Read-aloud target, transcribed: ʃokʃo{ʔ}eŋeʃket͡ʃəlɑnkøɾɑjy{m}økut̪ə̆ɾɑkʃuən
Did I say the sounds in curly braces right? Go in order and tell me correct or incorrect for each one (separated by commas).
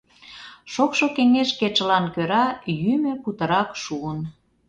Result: incorrect, correct